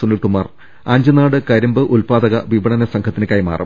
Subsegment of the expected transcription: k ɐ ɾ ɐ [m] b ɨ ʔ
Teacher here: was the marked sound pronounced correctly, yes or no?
yes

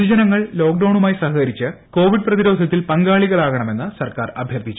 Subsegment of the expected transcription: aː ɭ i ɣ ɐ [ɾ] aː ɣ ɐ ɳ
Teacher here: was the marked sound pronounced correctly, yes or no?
no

